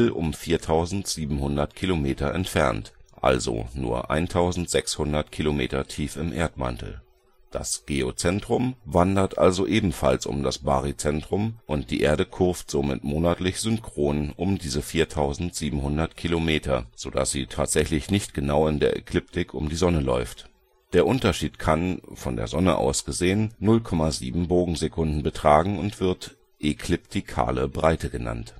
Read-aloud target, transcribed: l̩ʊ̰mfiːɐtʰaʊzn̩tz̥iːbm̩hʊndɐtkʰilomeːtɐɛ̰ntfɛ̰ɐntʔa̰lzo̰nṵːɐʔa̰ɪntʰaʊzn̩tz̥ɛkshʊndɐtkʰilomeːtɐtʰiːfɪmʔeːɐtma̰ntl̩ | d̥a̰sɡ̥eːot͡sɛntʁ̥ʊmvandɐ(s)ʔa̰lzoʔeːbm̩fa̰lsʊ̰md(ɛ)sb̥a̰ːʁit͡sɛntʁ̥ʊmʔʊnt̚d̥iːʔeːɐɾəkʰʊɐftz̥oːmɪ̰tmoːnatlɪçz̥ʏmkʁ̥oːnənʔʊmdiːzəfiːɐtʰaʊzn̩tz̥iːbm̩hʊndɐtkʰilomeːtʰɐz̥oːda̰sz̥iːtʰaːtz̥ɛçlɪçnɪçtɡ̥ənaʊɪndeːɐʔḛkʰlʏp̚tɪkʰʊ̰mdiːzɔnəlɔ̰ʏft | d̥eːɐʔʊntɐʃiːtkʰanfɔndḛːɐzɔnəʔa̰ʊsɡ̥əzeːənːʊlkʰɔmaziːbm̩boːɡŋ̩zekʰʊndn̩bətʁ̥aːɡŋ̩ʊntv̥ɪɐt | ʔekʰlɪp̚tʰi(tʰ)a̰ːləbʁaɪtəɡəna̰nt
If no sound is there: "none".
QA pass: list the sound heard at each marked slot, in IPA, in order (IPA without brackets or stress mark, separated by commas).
t, a, kʰ